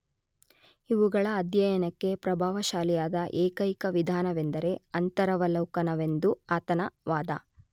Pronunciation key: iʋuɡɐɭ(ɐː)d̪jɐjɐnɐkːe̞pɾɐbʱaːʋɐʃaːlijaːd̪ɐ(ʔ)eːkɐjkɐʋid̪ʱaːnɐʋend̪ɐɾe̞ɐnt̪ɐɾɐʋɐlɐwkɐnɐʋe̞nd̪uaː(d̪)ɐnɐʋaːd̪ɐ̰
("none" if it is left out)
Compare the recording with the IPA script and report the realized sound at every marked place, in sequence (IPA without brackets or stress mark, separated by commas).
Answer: ɐː, ʔ, t̪